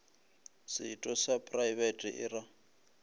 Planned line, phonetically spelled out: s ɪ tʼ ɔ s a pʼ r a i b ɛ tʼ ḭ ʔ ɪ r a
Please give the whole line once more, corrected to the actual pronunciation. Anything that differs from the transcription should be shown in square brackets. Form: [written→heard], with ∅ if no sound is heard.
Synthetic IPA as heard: s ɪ tʼ ɔ s a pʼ r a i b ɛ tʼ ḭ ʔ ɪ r a